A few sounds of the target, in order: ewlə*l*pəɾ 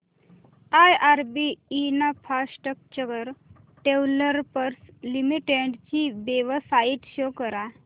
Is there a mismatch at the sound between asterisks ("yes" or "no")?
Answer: yes